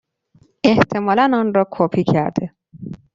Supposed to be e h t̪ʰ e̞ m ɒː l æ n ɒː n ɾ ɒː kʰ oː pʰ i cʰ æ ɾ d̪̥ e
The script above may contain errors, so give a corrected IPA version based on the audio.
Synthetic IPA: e h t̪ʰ e̞ m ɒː l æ n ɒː n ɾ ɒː kʰ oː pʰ i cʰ æ ɾ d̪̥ e